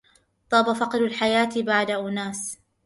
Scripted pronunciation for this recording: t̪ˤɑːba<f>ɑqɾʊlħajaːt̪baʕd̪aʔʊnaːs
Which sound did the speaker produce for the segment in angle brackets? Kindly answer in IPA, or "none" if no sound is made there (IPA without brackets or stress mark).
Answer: f